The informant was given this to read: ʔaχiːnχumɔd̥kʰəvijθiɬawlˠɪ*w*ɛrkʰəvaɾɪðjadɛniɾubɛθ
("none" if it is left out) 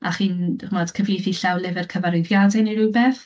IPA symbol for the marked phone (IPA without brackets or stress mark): v